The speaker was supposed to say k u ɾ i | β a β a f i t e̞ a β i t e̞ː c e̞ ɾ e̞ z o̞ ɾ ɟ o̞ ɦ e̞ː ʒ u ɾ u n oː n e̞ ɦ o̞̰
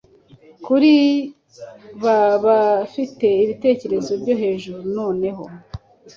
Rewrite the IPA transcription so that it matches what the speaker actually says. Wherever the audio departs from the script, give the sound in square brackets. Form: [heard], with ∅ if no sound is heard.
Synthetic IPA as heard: k u ɾ i | β a β a f i t e̞ [i] β i t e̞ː c e̞ ɾ e̞ z o̞ ɾ ɟ o̞ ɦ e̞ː ʒ u ɾ u n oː n e̞ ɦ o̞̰